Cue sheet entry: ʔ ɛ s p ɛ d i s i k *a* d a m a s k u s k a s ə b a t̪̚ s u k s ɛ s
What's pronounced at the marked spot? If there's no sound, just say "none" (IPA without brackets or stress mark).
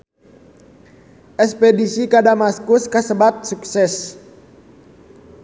a